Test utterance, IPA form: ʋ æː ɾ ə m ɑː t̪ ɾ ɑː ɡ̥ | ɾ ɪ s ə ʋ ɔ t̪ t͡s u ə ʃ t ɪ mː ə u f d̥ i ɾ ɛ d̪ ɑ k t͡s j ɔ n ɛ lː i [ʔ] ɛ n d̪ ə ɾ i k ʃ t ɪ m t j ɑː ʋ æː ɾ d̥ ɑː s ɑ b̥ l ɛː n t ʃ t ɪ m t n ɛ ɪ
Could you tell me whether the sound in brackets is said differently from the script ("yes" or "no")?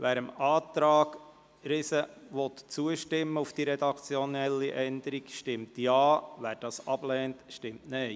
no